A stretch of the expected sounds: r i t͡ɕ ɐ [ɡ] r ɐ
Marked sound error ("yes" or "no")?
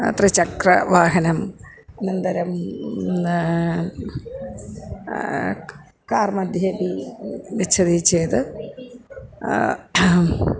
yes